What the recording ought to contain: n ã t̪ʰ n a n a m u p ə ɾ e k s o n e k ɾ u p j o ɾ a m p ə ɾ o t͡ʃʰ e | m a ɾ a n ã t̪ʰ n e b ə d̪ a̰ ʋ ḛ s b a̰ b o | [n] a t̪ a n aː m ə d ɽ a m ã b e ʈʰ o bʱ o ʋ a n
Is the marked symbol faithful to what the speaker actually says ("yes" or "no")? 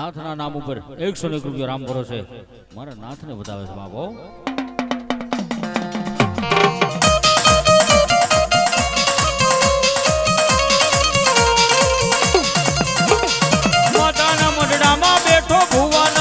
no